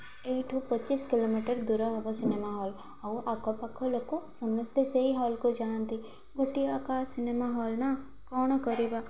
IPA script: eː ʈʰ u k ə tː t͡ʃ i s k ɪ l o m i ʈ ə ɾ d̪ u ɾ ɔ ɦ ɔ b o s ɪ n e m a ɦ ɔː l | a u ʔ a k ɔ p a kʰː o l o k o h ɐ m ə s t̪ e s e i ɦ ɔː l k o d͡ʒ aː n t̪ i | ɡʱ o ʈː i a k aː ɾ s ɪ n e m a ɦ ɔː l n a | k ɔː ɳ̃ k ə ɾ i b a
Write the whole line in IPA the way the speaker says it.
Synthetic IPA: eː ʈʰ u p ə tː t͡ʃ i s k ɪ l o m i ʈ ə ɾ d̪ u ɾ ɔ ɦ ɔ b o s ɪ n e m a ɦ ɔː l | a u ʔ a k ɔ p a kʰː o l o k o s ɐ m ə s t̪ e s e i ɦ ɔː l k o d͡ʒ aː n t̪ i | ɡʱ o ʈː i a k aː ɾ s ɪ n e m a ɦ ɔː l n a | k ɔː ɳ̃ k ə ɾ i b a